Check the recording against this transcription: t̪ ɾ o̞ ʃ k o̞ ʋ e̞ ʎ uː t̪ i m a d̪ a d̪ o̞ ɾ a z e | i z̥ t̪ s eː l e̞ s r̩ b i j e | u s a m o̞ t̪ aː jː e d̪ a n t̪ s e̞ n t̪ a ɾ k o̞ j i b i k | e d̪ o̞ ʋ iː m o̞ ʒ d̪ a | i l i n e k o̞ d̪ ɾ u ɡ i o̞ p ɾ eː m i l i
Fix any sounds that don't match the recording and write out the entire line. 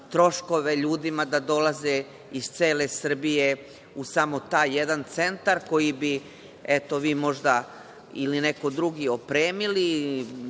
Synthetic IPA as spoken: t̪ ɾ o̞ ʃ k o̞ ʋ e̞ ʎ uː d̪ i m a d̪ a d̪ o̞ l a z e | i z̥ t̪ s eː l e̞ s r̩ b i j e | u s a m o̞ t̪ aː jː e d̪ a n t̪ s e̞ n t̪ a ɾ k o̞ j i b i | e t̪ o̞ ʋ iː m o̞ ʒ d̪ a | i l i n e k o̞ d̪ ɾ u ɡ i o̞ p ɾ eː m i l i